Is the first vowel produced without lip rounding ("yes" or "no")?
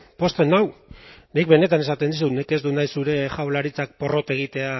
no